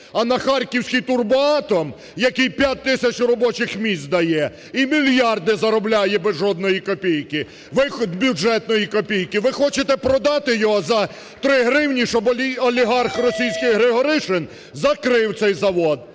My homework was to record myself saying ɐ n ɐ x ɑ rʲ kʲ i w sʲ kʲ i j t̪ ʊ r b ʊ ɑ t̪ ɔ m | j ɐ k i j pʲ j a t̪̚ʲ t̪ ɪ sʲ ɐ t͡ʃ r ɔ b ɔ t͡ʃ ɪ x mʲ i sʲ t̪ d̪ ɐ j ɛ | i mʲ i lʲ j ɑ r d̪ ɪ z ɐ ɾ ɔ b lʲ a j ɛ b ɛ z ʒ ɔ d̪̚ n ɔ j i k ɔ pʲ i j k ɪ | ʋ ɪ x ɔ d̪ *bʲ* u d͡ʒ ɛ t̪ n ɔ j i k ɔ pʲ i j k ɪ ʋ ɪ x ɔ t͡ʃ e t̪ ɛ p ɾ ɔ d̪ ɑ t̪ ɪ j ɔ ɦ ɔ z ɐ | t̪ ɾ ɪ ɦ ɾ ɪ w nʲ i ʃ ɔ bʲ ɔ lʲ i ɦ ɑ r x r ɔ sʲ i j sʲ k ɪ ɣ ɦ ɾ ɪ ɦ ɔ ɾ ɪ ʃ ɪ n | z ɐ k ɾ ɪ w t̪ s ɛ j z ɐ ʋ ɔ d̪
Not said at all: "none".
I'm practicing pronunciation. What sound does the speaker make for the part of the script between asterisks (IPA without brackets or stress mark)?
bʲ